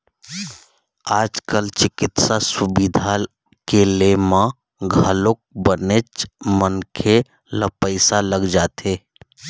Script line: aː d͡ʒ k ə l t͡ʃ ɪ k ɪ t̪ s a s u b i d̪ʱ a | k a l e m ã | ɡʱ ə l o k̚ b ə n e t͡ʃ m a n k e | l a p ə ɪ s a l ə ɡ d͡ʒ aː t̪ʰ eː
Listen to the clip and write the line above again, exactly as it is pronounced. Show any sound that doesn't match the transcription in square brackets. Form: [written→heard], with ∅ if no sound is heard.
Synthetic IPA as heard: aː d͡ʒ k ə l t͡ʃ ɪ k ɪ t̪ s a s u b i d̪ʱ a | k [a→e] l e m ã | ɡʱ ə l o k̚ b ə n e t͡ʃ m [a→ə] n [k→kʰ] e | l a p ə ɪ s a l ə ɡ d͡ʒ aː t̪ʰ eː